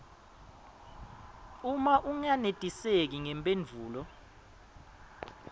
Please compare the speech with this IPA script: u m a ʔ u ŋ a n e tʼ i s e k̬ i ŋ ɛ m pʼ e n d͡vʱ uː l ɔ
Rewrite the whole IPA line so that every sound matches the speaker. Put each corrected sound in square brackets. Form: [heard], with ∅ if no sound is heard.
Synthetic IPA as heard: u m a ʔ u ŋ a n e tʼ i s e k̬ i ŋ ɛ m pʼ e n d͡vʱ uː l ɔ